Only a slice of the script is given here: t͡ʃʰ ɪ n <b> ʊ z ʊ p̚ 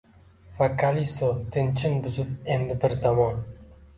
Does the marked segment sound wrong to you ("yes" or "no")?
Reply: no